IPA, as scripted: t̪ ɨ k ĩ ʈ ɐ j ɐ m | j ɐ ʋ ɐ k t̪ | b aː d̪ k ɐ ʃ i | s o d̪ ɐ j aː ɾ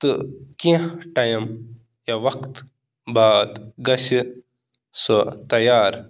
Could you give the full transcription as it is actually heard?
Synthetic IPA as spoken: t̪ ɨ k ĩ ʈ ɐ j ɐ m | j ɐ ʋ ɐ k t̪ | b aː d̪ ɡ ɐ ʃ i | s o t̪ ɐ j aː ɾ